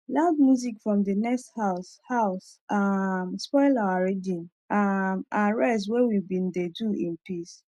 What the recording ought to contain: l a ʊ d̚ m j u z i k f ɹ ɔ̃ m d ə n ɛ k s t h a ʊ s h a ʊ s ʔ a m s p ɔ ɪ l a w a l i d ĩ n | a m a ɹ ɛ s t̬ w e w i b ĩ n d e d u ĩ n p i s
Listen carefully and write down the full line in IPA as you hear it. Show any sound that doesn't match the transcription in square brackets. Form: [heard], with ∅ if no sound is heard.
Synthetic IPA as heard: l a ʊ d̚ m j u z i k f ɹ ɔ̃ m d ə n ɛ k s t h a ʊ s h a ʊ s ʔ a m s p ɔ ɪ l a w a [ɹ] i d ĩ n | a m a ɹ ɛ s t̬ w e w i b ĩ n d e d u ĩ n p i s